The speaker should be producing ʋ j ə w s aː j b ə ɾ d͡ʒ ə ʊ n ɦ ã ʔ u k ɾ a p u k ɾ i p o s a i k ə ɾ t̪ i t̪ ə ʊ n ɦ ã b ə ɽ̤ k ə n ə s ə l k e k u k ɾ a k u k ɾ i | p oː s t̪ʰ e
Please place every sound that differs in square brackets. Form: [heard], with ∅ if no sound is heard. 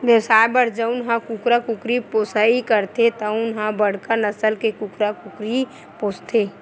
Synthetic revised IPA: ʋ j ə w s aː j b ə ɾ d͡ʒ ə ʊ n ɦ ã [k] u k ɾ a [k] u k ɾ i p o s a i k ə ɾ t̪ [e] t̪ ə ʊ n ɦ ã b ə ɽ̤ k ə n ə s ə l k e k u k ɾ a k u k ɾ i | p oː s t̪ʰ e